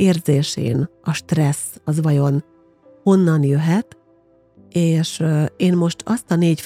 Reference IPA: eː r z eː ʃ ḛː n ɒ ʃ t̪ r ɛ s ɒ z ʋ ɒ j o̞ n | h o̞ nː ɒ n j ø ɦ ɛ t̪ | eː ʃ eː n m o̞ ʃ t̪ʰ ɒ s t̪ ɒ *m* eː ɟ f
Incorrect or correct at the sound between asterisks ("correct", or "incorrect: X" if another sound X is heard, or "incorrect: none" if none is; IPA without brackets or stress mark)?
incorrect: n